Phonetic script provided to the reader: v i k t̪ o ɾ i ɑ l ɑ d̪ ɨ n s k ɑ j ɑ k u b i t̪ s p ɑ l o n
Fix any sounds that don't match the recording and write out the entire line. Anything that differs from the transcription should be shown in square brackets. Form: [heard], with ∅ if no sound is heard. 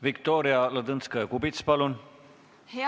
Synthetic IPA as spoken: v i k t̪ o ɾ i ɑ l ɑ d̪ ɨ n s k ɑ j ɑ k u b i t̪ s p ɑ l [u] n